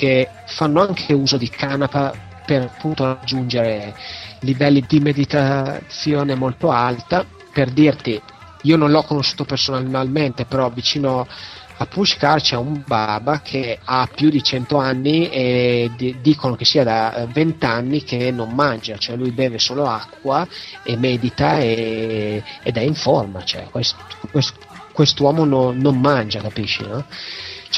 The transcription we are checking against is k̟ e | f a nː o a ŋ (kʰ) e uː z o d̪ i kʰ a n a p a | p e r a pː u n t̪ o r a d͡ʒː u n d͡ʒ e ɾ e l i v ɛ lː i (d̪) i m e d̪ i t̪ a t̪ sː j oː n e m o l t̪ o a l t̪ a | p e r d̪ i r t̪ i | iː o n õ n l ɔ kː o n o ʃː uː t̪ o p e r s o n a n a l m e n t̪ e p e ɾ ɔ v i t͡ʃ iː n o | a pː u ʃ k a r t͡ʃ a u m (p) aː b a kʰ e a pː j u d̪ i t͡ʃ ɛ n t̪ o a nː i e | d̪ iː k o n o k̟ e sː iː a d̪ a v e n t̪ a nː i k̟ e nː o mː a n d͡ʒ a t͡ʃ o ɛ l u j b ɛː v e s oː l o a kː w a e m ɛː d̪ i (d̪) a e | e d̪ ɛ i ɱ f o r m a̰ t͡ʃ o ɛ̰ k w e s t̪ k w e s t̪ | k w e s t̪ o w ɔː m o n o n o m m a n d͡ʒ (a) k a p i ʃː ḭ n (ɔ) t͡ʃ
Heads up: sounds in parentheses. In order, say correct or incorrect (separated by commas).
correct, correct, incorrect, incorrect, correct, correct